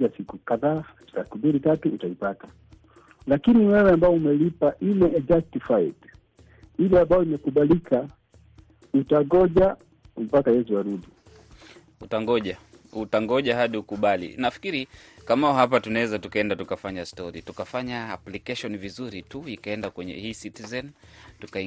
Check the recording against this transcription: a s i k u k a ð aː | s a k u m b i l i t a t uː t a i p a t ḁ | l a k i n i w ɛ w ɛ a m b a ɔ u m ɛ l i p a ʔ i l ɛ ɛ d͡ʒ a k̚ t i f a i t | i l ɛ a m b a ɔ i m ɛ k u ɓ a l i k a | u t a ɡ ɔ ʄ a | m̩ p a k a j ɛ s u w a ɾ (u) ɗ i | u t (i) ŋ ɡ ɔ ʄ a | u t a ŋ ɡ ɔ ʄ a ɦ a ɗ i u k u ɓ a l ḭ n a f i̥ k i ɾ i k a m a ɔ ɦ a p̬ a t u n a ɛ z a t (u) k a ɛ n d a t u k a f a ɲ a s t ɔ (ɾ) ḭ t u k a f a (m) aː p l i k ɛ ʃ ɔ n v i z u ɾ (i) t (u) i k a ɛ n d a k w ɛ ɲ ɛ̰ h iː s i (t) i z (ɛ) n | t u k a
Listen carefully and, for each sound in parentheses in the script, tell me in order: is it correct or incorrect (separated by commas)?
correct, incorrect, correct, correct, incorrect, correct, correct, correct, correct